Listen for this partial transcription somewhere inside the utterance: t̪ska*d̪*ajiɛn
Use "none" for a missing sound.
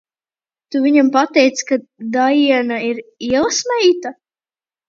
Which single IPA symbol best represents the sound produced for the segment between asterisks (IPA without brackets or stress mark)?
d̪